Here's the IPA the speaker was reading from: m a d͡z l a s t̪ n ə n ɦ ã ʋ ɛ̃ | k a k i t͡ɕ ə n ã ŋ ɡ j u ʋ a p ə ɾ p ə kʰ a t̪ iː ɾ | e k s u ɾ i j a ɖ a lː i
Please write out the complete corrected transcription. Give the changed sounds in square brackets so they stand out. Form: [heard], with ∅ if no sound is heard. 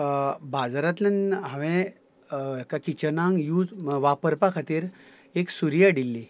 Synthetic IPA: [b] a d͡z [ɾ] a [∅] t̪ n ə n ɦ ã ʋ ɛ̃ | k a k i t͡ɕ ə n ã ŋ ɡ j u ʋ a p ə ɾ p [a] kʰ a t̪ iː ɾ | e k s u ɾ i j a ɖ [i] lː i